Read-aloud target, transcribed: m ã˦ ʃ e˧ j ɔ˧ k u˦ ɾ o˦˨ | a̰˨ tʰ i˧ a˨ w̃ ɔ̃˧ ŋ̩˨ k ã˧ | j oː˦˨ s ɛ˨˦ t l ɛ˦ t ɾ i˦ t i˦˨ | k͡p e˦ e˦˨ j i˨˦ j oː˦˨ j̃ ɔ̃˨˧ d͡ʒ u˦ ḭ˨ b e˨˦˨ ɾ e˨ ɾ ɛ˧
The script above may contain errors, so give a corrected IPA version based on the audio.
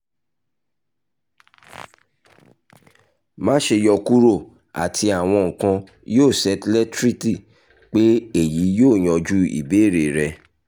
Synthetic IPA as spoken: m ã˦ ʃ e˧ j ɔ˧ k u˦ ɾ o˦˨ | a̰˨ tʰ i˧ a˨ w̃ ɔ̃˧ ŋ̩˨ k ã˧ | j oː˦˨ s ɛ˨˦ t l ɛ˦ t ɾ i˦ t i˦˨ | k͡p e˦ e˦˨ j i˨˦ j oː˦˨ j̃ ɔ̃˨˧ d͡ʒ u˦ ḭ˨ b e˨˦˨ ɾ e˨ ɾ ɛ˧